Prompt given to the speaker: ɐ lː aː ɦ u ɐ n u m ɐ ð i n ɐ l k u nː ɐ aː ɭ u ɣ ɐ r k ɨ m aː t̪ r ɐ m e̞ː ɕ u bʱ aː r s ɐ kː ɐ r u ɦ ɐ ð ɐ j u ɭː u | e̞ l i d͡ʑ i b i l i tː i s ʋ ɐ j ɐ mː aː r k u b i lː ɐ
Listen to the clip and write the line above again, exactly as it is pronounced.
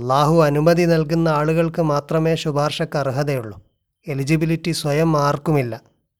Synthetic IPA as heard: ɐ lː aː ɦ u ɐ n u m ɐ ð i n ɐ l k u nː ɐ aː ɭ u ɣ ɐ ɭ k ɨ m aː t̪ r ɐ m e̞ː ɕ u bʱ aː r ʂ ɐ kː ɐ r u ɦ ɐ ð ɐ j u ɭː u | e̞ l i d͡ʑ i b i l i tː i s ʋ ɐ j ɐ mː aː r k u m i lː ɐ